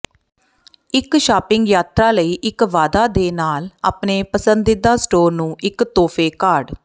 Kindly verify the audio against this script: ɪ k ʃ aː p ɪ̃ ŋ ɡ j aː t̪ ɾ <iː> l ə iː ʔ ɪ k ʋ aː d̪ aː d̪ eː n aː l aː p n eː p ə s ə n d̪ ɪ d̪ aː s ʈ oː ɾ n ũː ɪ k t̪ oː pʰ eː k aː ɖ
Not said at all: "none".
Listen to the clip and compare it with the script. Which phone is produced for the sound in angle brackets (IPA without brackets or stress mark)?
aː